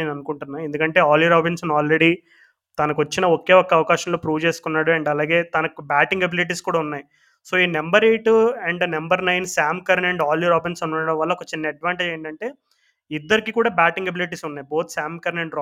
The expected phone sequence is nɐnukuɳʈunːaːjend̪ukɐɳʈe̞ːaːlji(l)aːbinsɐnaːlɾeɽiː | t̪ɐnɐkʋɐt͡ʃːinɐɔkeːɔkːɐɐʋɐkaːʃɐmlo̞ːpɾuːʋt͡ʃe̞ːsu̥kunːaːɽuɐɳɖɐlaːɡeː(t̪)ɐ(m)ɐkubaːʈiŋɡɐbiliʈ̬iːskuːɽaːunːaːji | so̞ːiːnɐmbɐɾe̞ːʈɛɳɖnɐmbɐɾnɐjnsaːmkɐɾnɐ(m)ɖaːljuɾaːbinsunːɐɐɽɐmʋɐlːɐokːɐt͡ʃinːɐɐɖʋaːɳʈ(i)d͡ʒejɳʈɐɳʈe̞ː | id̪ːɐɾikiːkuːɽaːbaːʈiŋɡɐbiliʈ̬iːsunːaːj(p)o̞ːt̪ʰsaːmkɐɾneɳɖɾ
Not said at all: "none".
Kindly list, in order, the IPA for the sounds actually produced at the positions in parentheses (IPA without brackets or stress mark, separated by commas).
ɾ, t̪, n, ɳ, e, b